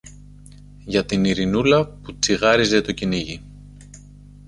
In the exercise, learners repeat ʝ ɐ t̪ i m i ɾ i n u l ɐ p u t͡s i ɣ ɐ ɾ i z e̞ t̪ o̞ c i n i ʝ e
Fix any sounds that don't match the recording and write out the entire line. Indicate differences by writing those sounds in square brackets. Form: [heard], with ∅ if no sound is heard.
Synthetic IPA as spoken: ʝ ɐ t̪ i [n] i ɾ i n u l ɐ p u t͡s i ɣ ɐ ɾ i z e̞ t̪ o̞ c i n i ʝ [i]

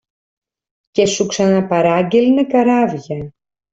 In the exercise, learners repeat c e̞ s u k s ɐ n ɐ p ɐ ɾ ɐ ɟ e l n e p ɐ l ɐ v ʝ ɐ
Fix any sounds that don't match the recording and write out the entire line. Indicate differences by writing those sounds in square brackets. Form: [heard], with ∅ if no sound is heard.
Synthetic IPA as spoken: c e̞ s u k s ɐ n ɐ p ɐ ɾ ɐ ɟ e l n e [k] ɐ [ɾ] ɐ v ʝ ɐ

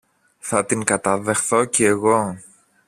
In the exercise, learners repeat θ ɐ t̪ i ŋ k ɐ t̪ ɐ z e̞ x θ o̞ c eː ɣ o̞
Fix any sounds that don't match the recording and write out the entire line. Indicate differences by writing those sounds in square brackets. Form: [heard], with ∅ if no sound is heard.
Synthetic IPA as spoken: θ ɐ t̪ i ŋ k ɐ t̪ ɐ [ð] e̞ x θ o̞ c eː ɣ o̞

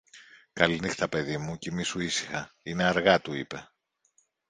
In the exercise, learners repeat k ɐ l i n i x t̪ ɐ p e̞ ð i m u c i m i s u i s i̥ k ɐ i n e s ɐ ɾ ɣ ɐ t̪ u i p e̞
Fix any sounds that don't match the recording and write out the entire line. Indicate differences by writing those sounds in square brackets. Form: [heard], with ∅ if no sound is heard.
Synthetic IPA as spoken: k ɐ l i n i x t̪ ɐ p e̞ ð i m u c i m i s u i s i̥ [x] ɐ i n e [∅] ɐ ɾ ɣ ɐ t̪ u i p e̞

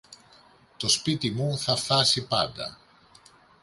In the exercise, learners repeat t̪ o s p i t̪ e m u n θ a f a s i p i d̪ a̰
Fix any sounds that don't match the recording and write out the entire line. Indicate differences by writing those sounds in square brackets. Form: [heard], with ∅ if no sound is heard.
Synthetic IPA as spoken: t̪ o s p i t̪ [i] m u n θ a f a s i p [a] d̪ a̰

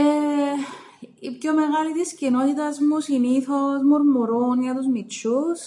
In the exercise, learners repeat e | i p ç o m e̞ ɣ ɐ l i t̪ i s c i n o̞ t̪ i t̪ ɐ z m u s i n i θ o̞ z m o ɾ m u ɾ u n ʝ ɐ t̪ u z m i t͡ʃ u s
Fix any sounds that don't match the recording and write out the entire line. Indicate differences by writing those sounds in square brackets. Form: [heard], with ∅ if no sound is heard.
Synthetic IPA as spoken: e | i p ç o m e̞ ɣ ɐ l i t̪ i s c i n o̞ t̪ i t̪ ɐ z m u s i n i θ o̞ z m o ɾ m u ɾ u n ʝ ɐ t̪ u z m i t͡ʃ u s

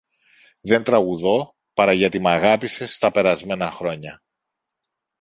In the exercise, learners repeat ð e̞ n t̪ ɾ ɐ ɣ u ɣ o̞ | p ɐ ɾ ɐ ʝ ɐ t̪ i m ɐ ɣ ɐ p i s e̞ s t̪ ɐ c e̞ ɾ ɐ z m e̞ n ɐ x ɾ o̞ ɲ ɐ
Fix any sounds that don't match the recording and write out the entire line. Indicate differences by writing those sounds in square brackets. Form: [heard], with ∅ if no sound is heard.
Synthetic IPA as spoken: ð e̞ n t̪ ɾ ɐ ɣ u [ð] o̞ | p ɐ ɾ ɐ ʝ ɐ t̪ i m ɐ ɣ ɐ p i s e̞ s t̪ ɐ [p] e̞ ɾ ɐ z m e̞ n ɐ x ɾ o̞ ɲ ɐ

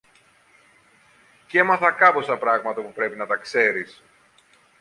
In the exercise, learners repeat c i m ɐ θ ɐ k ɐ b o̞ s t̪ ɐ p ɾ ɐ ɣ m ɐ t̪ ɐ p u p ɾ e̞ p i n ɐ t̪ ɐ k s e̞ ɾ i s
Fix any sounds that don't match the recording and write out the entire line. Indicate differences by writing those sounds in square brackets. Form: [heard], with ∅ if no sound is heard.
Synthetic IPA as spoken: c [e] m ɐ θ ɐ k ɐ [p] o̞ s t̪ ɐ p ɾ ɐ ɣ m ɐ t̪ ɐ p u p ɾ e̞ p i n ɐ t̪ ɐ k s e̞ ɾ i s

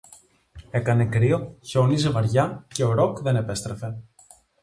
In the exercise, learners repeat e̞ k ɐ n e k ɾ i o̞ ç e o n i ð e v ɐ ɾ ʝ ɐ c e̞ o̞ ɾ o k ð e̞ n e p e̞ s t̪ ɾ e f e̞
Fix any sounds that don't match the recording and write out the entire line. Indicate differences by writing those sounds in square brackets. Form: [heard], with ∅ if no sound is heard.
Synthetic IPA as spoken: e̞ k ɐ n e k ɾ i o̞ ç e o n i [z] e v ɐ ɾ ʝ ɐ c e̞ o̞ ɾ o k ð e̞ n e p e̞ s t̪ ɾ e f e̞

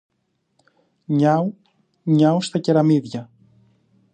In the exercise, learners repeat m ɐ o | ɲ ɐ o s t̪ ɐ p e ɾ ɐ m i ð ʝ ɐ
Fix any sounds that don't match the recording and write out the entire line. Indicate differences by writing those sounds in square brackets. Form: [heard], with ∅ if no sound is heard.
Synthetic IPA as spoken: [ɲ] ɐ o | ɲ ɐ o s t̪ ɐ [c] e ɾ ɐ m i ð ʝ ɐ

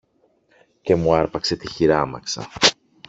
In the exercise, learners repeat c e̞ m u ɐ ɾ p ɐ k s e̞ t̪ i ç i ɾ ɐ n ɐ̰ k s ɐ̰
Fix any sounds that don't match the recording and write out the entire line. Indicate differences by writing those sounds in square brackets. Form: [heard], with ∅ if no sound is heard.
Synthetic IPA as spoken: c e̞ m u ɐ ɾ p ɐ k s e̞ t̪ i ç i ɾ ɐ [m] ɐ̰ k s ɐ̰

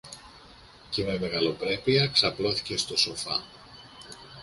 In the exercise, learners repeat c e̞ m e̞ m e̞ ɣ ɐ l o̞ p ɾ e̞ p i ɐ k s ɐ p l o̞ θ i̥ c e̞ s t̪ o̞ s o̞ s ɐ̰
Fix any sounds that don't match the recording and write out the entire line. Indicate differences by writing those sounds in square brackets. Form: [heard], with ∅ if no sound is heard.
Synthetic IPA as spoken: c e̞ m e̞ m e̞ ɣ ɐ l o̞ p ɾ e̞ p i ɐ k s ɐ p l o̞ θ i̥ c e̞ s t̪ o̞ s o̞ [f] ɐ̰

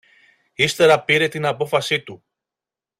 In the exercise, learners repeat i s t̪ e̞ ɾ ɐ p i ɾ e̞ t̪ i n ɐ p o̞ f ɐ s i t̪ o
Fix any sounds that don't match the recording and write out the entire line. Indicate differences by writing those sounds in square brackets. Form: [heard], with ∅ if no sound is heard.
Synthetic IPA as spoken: i s t̪ e̞ ɾ ɐ p i ɾ e̞ t̪ i n ɐ p o̞ f ɐ s i t̪ [u]

